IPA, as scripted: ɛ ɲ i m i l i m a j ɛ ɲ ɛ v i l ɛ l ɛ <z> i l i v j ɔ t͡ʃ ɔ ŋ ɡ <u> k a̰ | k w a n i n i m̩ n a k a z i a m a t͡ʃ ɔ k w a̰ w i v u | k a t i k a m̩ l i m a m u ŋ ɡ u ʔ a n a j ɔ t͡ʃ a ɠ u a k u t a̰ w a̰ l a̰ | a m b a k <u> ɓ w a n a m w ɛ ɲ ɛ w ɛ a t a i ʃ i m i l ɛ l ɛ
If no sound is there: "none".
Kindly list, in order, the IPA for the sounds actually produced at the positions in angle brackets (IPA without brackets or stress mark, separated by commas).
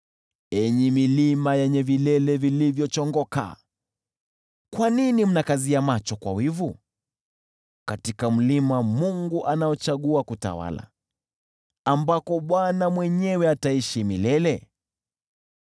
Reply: v, ɔ, ɔ